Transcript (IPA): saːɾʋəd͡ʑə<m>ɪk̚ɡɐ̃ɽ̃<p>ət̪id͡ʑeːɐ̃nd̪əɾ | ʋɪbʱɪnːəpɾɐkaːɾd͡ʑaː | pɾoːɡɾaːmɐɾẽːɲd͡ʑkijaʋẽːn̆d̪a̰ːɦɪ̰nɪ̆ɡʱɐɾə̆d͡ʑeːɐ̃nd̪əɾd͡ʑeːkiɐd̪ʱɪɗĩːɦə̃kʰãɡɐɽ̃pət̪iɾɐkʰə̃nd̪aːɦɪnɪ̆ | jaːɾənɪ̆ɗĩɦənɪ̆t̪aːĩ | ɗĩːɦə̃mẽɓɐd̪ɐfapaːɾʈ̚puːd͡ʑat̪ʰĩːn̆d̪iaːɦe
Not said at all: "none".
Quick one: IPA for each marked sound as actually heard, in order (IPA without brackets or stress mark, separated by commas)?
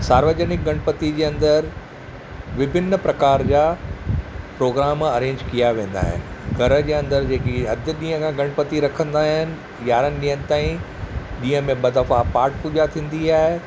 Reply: n, p